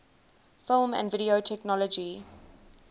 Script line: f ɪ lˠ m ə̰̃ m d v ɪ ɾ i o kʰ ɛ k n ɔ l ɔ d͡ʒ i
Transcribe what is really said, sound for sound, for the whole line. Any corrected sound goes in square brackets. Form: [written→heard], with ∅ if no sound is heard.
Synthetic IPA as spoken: f ɪ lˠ m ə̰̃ [m→n] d v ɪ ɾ i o [kʰ→tʰ] ɛ k n ɔ l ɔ d͡ʒ i